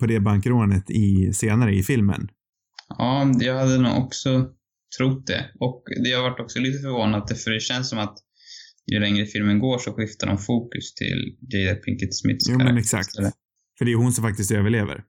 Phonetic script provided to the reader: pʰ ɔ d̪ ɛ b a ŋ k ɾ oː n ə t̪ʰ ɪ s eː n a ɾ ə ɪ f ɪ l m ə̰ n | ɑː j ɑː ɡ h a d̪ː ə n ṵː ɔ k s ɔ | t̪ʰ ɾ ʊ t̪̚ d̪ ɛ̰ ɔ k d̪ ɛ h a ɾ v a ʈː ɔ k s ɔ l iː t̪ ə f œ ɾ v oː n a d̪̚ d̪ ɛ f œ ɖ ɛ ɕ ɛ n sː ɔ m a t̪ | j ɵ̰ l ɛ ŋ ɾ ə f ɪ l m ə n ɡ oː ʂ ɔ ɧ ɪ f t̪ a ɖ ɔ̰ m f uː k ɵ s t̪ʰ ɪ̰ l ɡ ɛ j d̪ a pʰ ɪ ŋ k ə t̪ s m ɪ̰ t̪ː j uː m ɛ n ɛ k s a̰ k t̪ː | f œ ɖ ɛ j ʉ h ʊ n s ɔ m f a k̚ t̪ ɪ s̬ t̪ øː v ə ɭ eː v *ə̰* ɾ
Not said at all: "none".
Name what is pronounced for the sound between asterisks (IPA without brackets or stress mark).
ə̰